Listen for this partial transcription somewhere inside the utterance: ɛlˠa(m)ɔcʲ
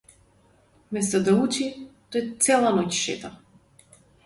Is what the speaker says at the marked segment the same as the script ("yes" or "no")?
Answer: no